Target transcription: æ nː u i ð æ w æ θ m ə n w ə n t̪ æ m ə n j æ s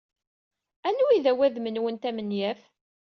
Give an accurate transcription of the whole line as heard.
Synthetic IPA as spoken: æ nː u i ð æ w æ ð m ə n w ə n t̪ æ m ə n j æ f